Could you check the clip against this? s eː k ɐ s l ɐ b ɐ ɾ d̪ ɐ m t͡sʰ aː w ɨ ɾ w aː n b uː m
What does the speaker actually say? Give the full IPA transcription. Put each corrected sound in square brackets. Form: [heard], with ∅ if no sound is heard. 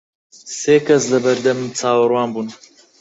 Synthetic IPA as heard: s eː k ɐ s l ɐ b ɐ ɾ d̪ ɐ m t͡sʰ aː w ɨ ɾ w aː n b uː [n]